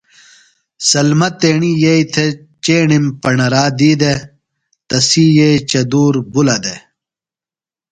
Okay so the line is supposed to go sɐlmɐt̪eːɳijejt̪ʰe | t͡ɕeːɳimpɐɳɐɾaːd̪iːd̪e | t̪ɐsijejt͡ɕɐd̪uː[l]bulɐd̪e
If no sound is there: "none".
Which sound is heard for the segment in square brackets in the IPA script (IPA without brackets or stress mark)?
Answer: ɾ